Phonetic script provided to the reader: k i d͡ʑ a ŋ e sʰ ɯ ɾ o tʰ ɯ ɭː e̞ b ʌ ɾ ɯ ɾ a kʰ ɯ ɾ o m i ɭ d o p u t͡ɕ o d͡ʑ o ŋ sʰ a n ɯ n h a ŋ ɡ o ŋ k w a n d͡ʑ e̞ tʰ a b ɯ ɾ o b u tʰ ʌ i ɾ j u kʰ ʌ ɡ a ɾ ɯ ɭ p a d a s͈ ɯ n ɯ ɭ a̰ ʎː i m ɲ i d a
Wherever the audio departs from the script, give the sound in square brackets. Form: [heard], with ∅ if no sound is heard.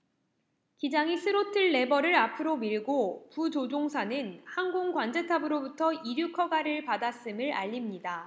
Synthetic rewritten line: k i d͡ʑ a ŋ [i] sʰ ɯ ɾ o tʰ ɯ ɭː e̞ b ʌ ɾ ɯ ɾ a [pʰ] ɯ ɾ o m i ɭ [ɡ] o p u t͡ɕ o d͡ʑ o ŋ sʰ a n ɯ n h a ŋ ɡ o ŋ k w a n d͡ʑ e̞ tʰ a b ɯ ɾ o b u tʰ ʌ i ɾ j u kʰ ʌ ɡ a ɾ ɯ ɭ p a d a s͈ ɯ [m] ɯ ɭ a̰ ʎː i m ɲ i d a